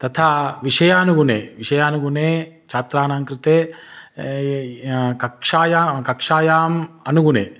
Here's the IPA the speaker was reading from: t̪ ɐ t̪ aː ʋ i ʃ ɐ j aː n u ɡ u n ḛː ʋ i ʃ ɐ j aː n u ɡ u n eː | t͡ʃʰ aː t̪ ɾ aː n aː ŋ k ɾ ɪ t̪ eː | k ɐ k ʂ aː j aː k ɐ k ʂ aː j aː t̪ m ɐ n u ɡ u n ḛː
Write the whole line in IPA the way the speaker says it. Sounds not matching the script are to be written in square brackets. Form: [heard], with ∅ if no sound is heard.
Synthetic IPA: t̪ ɐ [t̪ʰ] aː ʋ i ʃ ɐ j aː n u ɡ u n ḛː ʋ i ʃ ɐ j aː n u ɡ u n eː | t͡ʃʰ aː t̪ ɾ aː n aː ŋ k ɾ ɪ t̪ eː | k ɐ k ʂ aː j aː k ɐ k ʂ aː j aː [∅] m ɐ n u ɡ u n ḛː